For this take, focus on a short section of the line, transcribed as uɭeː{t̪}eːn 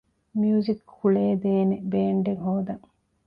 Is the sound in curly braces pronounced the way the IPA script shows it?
no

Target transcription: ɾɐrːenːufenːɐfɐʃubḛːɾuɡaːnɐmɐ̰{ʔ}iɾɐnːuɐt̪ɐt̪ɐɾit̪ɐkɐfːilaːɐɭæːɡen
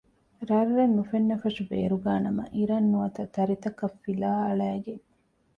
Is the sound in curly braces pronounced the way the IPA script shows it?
yes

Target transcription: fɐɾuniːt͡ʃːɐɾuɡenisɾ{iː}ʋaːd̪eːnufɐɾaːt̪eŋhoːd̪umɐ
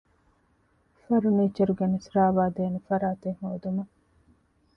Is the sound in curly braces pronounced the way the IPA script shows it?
no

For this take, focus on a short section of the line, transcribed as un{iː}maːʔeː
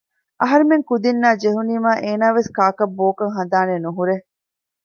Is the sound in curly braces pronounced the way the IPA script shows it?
yes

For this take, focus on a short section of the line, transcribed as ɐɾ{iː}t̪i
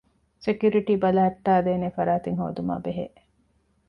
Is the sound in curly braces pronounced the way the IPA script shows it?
no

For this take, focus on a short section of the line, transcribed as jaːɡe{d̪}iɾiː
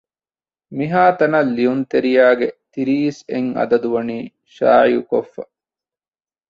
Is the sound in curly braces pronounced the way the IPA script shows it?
no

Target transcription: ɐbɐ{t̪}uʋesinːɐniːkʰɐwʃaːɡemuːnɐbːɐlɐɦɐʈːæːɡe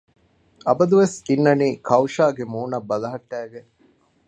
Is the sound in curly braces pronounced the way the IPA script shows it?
no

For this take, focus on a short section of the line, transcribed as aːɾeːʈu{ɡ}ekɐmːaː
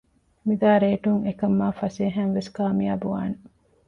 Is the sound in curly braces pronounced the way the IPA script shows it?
no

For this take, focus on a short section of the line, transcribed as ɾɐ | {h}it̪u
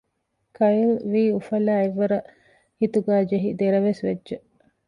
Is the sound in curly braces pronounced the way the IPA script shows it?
yes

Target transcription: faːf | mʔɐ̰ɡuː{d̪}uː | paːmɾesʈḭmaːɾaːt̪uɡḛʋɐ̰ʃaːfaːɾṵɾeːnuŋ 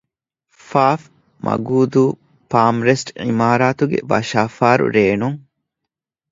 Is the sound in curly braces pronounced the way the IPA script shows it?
yes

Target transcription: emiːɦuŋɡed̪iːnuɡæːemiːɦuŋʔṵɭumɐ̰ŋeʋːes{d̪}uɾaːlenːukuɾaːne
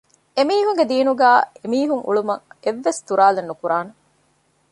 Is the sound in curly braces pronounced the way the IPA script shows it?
no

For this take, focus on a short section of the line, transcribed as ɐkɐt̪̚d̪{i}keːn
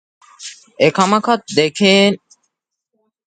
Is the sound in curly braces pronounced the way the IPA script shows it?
no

